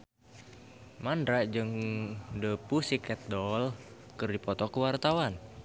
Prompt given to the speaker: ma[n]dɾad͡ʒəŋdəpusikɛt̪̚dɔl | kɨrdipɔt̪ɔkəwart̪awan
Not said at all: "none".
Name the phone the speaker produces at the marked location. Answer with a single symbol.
n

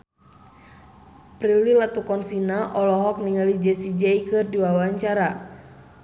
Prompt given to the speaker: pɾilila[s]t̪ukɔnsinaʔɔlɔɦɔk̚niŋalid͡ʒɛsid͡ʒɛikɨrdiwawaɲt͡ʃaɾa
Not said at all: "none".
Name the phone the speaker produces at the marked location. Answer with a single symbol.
none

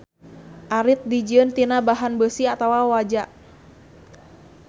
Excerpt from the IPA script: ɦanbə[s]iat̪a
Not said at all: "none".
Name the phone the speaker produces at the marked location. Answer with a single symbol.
s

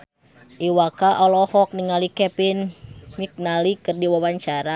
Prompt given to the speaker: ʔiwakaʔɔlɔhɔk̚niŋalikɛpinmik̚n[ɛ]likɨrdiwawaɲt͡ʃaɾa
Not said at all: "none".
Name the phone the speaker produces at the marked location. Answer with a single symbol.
a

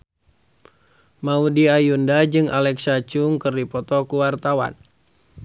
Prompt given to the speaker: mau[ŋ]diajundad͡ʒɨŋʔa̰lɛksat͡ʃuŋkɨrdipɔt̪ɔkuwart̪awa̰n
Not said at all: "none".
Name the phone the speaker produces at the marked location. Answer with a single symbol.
none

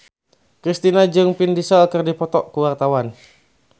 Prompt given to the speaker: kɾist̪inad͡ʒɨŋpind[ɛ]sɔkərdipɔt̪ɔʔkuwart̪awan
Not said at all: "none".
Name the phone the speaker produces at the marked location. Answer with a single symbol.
i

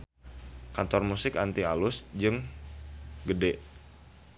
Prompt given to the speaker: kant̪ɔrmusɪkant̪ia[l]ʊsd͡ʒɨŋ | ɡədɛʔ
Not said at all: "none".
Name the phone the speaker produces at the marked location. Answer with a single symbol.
l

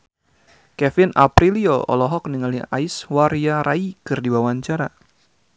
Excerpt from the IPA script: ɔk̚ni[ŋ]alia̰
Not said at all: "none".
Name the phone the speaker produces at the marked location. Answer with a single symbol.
ŋ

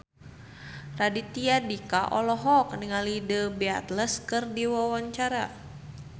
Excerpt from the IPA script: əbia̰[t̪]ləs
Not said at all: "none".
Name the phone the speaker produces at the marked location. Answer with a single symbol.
t̪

